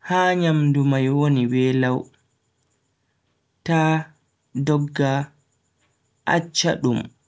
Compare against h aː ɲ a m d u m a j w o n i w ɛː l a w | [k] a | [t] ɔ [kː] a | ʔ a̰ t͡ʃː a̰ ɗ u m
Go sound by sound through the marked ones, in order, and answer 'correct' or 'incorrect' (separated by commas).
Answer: incorrect, incorrect, incorrect